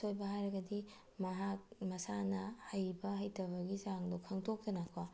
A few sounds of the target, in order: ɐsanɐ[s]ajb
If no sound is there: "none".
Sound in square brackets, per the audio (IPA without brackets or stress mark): h